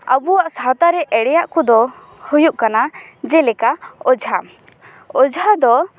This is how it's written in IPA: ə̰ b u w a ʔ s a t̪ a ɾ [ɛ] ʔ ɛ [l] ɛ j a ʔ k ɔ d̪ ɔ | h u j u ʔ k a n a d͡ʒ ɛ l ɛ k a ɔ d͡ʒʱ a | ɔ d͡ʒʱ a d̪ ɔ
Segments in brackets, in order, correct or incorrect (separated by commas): correct, incorrect